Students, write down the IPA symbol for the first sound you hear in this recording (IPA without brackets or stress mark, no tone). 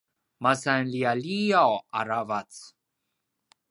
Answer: m